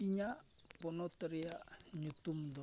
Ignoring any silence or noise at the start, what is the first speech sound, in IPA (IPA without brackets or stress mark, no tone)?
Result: i